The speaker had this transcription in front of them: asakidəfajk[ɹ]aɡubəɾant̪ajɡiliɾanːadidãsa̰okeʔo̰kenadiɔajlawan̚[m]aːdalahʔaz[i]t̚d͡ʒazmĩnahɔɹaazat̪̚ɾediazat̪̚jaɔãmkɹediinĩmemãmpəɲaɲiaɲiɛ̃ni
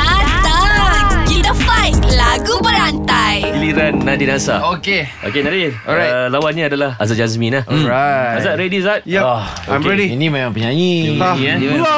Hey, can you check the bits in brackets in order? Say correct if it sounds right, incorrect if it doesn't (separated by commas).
incorrect, incorrect, incorrect